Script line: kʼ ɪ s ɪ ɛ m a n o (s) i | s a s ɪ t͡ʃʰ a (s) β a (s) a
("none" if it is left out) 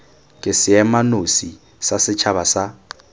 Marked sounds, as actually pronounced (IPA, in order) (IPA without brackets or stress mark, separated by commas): s, none, s